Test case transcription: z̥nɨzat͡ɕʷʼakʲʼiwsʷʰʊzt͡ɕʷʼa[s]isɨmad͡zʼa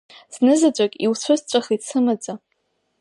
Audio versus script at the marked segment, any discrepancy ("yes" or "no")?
yes